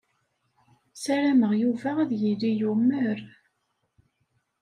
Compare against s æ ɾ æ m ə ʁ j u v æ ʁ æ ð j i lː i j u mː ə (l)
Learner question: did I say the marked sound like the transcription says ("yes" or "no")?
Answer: no